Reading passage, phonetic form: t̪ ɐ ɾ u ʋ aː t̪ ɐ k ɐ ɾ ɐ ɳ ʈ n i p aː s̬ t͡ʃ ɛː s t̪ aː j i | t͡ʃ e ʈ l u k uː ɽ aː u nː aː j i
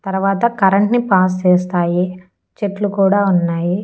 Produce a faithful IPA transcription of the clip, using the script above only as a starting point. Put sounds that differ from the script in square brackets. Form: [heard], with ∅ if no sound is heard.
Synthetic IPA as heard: t̪ ɐ ɾ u ʋ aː t̪ ɐ k ɐ ɾ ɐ ɳ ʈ n i p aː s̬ t͡ʃ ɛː s t̪ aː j i | t͡ʃ e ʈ l u k uː ɽ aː u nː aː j i